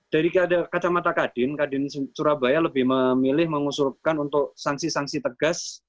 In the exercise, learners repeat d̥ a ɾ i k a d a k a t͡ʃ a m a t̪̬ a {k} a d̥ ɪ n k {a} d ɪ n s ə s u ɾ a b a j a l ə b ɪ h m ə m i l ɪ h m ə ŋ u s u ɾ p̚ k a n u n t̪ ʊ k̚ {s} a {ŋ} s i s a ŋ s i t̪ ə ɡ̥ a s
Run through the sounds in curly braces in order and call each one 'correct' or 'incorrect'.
correct, correct, correct, correct

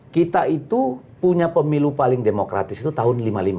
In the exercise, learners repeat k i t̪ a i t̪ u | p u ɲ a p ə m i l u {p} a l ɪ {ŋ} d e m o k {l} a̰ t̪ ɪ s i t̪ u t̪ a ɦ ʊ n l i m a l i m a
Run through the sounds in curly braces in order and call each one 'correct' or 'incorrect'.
correct, correct, incorrect

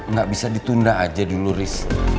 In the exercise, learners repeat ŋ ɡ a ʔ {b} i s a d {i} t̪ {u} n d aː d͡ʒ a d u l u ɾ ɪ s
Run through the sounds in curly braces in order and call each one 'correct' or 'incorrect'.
correct, correct, correct

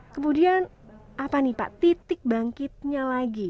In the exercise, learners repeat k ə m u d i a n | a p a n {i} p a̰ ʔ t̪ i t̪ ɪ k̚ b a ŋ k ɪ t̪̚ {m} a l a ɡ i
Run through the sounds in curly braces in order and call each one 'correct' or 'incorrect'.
correct, incorrect

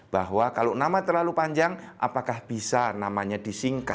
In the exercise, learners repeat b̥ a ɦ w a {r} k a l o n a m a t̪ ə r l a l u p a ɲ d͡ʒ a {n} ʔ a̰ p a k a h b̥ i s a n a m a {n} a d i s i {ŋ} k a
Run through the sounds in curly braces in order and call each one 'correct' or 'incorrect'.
incorrect, incorrect, incorrect, correct

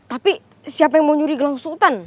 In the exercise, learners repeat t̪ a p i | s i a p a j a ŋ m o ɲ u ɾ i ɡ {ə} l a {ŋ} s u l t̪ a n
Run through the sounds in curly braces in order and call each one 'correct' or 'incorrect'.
correct, correct

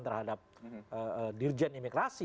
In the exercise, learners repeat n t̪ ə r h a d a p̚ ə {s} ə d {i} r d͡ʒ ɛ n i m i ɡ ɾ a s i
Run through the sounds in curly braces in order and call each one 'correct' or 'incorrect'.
incorrect, correct

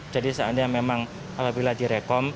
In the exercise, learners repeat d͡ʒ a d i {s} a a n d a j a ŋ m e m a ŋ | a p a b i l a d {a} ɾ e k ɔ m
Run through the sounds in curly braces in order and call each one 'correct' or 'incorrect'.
correct, incorrect

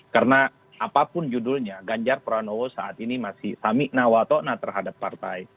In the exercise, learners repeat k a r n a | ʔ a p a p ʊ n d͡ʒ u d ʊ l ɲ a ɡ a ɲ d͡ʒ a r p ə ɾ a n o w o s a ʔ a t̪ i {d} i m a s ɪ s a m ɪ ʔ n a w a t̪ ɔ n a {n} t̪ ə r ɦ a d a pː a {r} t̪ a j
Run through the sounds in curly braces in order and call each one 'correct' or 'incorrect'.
incorrect, incorrect, correct

